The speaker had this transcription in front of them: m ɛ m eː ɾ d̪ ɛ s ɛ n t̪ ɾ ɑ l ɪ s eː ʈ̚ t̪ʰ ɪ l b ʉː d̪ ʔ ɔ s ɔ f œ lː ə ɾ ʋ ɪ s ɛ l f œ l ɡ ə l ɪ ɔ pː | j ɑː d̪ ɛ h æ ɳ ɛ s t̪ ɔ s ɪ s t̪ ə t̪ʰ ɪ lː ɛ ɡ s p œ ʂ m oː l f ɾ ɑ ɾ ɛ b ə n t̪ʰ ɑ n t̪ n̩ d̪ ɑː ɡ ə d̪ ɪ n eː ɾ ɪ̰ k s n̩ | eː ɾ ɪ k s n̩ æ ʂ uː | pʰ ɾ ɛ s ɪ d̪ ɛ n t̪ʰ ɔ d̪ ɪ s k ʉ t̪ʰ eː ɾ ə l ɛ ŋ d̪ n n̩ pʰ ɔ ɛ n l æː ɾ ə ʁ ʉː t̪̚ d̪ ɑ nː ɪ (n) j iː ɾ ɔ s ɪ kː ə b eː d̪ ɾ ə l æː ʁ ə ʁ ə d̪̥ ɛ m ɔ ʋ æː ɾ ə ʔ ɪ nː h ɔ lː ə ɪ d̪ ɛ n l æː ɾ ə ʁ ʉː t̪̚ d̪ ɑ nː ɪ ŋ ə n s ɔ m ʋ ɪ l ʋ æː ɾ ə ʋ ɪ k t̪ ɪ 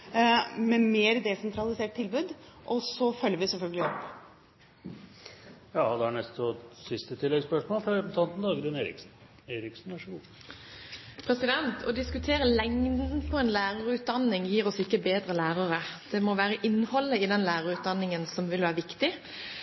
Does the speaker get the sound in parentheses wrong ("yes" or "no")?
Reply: yes